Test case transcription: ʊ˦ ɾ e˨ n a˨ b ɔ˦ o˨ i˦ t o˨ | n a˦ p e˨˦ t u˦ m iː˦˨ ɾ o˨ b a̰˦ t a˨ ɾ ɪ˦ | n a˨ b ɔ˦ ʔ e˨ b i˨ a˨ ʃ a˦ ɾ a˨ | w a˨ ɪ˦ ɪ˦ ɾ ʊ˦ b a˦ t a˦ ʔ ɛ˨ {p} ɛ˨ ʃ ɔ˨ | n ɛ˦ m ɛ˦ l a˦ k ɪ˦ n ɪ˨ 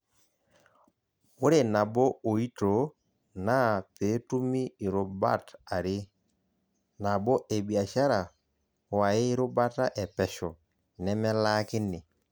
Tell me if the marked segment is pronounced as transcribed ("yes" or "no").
yes